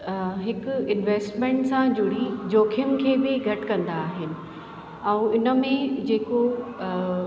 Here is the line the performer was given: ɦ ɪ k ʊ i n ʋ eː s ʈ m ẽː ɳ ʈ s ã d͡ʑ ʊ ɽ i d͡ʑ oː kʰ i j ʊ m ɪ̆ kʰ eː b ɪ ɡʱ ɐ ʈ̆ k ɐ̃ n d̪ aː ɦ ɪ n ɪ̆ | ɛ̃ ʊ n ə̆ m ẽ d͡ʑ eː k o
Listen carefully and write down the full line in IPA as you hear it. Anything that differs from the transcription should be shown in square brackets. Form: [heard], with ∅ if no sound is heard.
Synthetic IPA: ɦ ɪ k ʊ [ɪ] n ʋ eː s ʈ m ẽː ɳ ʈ s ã d͡ʑ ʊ ɽ i d͡ʑ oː kʰ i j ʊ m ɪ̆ kʰ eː b ɪ ɡʱ ɐ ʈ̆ k ɐ̃ n d̪ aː ɦ ɪ n ɪ̆ | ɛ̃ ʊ n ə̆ m ẽ d͡ʑ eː k o